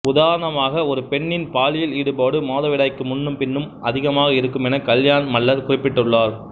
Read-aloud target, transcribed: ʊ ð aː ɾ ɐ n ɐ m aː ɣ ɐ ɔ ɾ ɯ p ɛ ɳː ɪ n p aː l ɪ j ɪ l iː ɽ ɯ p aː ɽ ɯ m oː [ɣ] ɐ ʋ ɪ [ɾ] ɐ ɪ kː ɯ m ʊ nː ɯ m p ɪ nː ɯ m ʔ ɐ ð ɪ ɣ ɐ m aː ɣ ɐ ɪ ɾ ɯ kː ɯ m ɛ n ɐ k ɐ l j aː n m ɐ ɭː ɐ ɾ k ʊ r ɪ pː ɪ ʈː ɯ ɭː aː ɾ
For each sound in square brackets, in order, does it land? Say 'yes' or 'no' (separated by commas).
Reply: no, no